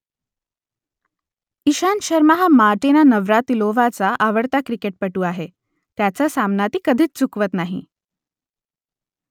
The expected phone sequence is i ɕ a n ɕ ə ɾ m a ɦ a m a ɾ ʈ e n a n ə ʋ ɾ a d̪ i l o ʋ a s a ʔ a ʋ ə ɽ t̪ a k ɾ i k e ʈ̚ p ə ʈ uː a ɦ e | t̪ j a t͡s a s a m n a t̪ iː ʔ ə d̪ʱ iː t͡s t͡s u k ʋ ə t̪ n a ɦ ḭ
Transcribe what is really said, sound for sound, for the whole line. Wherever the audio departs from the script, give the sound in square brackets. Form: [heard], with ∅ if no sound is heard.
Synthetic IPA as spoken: i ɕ a n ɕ ə ɾ m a ɦ a m a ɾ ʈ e n a n ə ʋ ɾ a [t̪] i l o ʋ a [t͡s] a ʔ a ʋ ə ɽ t̪ a k ɾ i k e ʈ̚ p ə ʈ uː a ɦ e | t̪ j a t͡s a s a m n a t̪ iː [k] ə d̪ʱ iː t͡s t͡s u k ʋ ə t̪ n a ɦ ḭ